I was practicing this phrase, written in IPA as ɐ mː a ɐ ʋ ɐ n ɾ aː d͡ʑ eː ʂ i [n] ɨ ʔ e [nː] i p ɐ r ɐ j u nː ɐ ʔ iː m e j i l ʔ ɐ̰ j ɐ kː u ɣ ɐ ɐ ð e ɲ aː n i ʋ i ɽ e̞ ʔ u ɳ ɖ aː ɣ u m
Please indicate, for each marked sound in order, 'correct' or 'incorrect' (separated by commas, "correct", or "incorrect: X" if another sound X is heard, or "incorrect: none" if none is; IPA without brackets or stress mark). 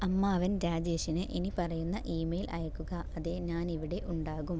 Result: correct, incorrect: n